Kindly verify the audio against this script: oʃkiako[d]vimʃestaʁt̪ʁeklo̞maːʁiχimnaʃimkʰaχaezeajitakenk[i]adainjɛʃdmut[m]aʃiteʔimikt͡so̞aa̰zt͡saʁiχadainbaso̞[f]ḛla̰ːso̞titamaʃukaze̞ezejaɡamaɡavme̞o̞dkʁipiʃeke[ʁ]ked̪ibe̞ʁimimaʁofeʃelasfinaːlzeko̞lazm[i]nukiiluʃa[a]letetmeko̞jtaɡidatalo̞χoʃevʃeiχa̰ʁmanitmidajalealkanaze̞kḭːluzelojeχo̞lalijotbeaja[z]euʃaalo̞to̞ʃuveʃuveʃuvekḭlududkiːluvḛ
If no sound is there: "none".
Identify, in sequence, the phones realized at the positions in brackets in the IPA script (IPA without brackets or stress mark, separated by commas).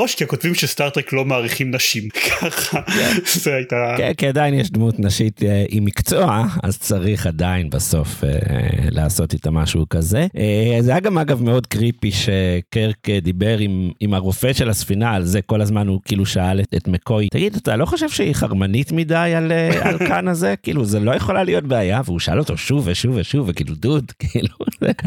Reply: t, i, n, f, ʁ, a, a, v